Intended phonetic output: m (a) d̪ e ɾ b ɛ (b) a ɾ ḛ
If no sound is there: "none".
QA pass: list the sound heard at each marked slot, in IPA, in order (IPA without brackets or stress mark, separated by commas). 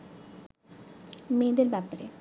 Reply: e, p